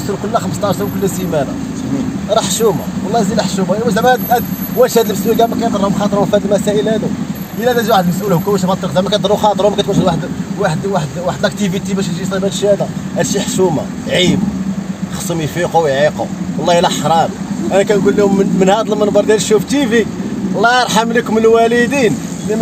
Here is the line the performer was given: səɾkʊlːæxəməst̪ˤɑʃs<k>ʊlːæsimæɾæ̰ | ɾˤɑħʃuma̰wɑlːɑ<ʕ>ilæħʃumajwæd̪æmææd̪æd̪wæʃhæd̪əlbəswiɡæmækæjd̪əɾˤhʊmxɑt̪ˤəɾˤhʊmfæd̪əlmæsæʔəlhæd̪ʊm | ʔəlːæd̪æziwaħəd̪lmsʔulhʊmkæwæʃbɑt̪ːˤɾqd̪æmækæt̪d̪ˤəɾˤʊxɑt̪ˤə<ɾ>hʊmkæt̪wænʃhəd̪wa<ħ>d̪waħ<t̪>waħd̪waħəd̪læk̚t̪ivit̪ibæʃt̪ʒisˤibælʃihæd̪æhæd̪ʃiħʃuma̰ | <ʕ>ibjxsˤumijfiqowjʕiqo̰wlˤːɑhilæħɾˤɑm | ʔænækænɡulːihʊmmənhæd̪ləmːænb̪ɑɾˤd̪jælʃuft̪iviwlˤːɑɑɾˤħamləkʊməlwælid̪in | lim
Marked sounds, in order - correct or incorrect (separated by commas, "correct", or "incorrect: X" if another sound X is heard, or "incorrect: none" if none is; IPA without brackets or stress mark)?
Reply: correct, incorrect: z, correct, correct, incorrect: d̪, correct